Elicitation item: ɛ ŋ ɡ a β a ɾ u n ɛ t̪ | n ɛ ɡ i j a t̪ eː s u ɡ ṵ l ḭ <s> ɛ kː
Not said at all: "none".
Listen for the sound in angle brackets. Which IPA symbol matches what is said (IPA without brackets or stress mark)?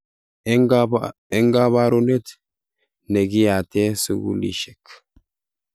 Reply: ʃ